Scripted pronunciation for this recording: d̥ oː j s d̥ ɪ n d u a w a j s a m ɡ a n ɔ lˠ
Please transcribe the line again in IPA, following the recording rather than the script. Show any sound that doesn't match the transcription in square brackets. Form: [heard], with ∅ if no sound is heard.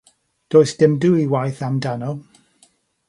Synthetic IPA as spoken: d̥ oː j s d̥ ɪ [m] d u [i] w a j [θ] a m [d] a n ɔ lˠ